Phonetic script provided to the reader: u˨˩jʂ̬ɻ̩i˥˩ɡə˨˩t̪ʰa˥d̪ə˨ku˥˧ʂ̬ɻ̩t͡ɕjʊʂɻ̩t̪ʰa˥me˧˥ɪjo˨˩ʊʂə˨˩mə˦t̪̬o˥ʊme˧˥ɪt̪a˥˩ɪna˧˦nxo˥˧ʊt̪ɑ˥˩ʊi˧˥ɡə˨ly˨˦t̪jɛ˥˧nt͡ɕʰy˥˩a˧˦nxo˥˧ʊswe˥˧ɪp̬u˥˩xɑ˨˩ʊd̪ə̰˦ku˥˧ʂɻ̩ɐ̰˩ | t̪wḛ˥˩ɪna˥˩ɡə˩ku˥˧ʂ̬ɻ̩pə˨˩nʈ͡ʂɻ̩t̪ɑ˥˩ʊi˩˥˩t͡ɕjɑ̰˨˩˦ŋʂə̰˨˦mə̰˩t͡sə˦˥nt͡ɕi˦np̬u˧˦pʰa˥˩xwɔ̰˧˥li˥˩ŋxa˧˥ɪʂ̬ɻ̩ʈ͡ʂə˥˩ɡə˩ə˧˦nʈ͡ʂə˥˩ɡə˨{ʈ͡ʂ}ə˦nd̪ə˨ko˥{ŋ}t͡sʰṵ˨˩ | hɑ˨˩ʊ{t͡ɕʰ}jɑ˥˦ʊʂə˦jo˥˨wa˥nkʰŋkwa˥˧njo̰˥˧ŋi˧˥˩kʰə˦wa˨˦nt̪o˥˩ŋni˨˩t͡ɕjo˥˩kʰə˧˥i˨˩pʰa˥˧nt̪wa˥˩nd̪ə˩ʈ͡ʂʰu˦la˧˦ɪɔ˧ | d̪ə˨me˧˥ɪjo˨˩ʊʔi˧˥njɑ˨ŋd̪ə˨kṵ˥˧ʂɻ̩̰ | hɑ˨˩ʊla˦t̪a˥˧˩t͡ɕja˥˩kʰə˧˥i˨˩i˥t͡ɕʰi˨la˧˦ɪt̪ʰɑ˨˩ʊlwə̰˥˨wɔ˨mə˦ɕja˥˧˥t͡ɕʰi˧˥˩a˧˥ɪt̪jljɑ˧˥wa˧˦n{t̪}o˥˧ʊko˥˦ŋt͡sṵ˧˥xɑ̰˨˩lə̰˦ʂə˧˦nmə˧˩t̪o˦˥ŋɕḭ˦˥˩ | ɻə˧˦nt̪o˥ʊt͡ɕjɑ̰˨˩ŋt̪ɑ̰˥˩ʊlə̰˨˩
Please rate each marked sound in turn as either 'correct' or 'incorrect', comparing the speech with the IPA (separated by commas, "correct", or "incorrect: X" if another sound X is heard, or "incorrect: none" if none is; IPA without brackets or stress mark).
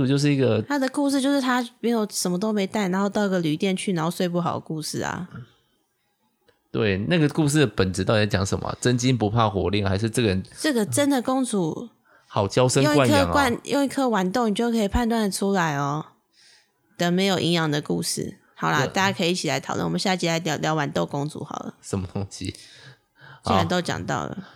correct, correct, incorrect: t͡ɕ, correct